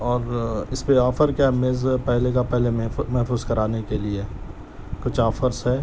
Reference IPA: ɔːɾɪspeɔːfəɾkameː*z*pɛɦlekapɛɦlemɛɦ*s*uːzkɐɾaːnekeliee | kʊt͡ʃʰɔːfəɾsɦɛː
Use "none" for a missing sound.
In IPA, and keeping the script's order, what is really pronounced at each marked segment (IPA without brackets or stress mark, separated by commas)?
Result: z, f